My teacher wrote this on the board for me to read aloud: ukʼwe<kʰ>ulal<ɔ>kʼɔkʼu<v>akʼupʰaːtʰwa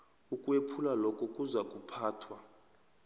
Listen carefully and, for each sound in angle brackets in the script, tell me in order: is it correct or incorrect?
incorrect, correct, incorrect

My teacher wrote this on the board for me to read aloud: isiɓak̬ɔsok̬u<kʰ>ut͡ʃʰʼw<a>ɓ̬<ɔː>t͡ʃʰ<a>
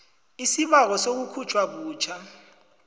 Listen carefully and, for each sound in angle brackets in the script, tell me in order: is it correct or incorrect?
correct, correct, incorrect, correct

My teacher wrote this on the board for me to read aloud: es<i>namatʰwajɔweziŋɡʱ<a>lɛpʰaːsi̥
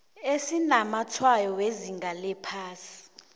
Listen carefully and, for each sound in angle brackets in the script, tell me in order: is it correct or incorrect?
correct, correct

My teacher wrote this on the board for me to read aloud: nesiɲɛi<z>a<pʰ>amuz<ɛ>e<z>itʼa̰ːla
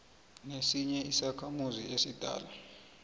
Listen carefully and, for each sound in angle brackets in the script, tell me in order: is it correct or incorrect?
incorrect, incorrect, incorrect, incorrect

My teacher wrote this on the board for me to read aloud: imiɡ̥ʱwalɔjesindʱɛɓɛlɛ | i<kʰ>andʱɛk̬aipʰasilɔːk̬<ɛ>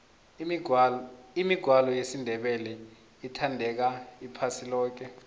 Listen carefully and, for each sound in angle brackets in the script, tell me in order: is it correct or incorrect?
incorrect, correct

